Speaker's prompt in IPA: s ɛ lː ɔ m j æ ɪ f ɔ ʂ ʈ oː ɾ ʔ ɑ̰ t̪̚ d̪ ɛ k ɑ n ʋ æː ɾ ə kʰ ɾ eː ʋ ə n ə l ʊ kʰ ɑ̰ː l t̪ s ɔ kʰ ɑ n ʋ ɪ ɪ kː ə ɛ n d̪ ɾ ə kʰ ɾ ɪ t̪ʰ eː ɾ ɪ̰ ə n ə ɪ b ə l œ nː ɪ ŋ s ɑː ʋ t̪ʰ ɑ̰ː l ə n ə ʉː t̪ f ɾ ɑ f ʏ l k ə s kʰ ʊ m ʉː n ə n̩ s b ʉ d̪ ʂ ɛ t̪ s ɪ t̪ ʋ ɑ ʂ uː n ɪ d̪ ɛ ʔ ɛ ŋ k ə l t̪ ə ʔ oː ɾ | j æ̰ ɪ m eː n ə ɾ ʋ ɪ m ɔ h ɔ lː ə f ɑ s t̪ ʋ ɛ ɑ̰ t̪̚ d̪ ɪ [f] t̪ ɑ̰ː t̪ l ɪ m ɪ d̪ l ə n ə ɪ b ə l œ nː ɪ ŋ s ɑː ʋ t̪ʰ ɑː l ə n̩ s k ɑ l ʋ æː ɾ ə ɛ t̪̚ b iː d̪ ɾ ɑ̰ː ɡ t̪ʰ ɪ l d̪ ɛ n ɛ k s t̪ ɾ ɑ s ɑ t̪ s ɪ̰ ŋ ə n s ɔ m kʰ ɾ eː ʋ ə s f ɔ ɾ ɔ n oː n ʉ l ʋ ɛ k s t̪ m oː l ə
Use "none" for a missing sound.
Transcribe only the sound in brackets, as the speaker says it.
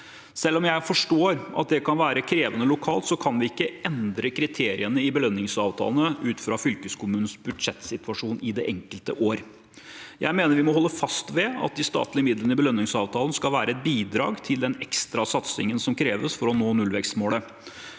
s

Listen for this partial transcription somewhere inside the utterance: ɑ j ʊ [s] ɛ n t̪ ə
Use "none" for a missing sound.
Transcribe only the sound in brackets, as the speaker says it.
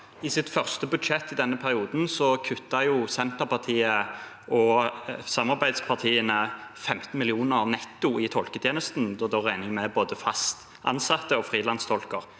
s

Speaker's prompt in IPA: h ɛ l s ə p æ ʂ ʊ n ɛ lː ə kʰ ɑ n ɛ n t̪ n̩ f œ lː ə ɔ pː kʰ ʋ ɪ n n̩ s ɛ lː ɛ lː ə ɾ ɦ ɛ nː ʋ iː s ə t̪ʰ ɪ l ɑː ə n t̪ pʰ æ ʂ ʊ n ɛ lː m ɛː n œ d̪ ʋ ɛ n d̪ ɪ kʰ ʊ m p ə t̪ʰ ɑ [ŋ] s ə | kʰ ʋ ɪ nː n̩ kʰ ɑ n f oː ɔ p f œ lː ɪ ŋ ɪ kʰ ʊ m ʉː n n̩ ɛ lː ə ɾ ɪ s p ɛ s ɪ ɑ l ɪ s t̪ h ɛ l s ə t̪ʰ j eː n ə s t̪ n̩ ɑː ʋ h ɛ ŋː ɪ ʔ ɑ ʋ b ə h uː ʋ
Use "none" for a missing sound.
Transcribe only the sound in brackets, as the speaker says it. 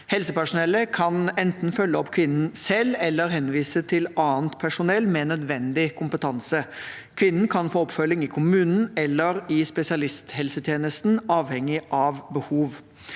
n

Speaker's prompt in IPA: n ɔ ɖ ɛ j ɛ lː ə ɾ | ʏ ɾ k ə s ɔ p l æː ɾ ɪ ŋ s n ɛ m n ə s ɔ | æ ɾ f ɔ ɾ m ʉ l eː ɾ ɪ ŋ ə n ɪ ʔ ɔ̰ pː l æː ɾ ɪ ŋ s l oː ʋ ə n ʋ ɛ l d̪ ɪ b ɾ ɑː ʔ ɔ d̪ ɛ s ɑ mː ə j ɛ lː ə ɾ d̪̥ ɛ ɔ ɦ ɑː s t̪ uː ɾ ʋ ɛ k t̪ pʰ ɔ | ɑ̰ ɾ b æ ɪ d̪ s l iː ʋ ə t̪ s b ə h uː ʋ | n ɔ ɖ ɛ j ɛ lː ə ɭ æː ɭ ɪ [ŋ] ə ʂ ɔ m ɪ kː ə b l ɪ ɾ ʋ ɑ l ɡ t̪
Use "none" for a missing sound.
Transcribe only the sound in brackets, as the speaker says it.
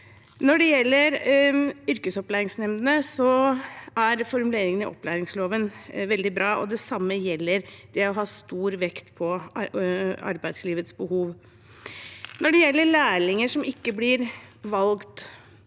ŋ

